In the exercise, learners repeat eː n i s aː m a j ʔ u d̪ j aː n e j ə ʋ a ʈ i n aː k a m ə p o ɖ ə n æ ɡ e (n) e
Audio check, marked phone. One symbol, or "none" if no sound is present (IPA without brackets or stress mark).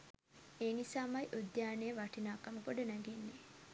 nː